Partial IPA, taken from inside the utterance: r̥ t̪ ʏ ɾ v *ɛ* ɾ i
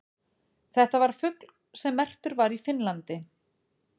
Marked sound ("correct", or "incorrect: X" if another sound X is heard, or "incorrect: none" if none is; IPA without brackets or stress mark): incorrect: a